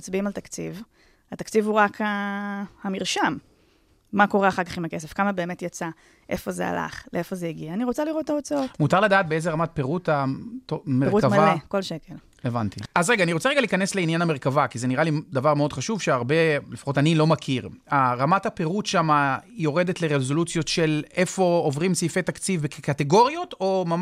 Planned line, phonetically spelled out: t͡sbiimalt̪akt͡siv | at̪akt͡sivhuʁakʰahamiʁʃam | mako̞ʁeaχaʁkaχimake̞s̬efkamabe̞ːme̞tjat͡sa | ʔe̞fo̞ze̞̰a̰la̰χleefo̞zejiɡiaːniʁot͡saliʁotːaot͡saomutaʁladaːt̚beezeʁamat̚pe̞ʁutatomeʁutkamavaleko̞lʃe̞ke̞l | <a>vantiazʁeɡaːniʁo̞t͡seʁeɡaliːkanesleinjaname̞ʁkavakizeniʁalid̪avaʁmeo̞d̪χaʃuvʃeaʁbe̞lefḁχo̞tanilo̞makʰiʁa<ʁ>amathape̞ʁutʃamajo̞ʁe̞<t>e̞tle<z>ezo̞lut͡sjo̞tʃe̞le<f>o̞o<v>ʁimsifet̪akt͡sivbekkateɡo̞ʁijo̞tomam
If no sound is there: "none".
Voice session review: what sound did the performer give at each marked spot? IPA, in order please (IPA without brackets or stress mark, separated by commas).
e, ʁ, d, ʁ, f, v